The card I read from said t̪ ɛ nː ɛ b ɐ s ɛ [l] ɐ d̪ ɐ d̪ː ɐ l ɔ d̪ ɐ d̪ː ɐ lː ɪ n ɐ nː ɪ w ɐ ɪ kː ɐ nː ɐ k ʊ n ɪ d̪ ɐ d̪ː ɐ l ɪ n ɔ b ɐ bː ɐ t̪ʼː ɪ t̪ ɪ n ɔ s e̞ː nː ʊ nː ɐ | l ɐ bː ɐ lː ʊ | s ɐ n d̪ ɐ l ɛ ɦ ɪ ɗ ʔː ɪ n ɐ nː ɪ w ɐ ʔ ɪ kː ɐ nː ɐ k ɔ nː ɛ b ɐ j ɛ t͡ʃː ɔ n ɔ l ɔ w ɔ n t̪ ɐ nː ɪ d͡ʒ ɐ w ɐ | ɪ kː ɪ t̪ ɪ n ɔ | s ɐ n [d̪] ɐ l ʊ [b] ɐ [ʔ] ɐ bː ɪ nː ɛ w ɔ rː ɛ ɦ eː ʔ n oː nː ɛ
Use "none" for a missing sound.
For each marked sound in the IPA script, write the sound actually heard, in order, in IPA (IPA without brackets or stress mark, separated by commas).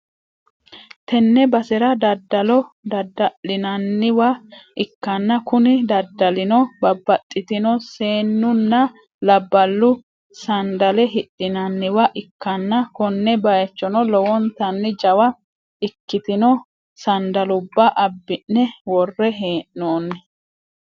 ɾ, d̪, bː, ʔ